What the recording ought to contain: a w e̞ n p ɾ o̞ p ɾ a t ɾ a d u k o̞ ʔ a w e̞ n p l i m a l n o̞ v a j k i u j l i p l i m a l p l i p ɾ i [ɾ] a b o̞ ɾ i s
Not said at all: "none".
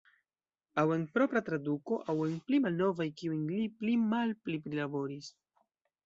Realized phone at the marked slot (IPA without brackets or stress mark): l